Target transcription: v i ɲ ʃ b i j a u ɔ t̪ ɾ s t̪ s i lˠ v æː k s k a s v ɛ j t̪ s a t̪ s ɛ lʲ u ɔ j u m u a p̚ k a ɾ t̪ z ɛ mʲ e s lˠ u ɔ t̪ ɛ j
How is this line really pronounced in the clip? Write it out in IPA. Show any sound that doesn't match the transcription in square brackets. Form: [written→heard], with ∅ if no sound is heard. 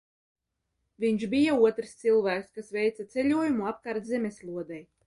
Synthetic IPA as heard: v i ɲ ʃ b i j a u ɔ t̪ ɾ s t̪ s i lˠ v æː k s k a s v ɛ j t̪ s a t̪ s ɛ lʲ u ɔ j u m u a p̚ k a ɾ t̪ z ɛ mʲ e s lˠ u ɔ [t̪→d̪] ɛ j